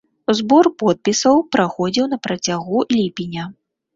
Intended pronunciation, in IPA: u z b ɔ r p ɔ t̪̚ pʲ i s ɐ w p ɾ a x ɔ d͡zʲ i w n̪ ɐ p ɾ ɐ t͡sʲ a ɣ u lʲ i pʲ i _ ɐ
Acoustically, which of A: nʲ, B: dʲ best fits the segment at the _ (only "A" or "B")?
A